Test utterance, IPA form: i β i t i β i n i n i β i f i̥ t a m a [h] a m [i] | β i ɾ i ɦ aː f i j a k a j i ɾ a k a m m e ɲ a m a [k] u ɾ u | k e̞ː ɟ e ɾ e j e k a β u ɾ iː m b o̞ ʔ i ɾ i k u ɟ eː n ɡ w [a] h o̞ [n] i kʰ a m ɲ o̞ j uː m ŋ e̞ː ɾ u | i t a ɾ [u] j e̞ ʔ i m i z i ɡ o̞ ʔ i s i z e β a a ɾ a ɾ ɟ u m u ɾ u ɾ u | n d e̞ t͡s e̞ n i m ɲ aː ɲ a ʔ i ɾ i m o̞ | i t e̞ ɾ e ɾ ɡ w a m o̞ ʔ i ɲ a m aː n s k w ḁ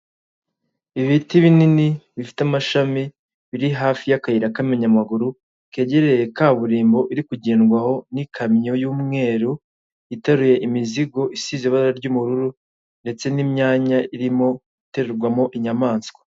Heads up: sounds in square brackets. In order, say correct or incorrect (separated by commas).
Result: incorrect, correct, incorrect, correct, correct, correct